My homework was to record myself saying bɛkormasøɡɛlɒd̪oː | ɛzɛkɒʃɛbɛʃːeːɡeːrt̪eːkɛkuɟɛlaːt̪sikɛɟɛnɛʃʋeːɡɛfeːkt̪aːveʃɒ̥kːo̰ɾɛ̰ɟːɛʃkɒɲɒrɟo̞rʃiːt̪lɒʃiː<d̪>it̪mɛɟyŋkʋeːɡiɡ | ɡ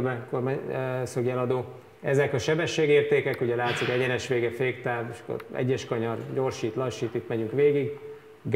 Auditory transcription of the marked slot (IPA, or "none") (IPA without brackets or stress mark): t̪